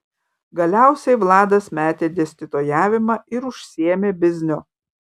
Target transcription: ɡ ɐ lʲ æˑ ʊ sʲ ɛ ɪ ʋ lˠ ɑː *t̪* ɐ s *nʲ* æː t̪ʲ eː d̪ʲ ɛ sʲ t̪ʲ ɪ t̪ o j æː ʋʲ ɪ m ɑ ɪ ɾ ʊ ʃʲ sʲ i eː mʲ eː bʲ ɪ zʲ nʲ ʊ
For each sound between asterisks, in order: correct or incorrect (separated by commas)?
incorrect, incorrect